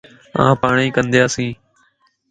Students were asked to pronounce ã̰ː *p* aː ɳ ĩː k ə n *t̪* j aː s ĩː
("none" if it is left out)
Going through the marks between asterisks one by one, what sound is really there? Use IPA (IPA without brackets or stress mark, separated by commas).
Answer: p, d̪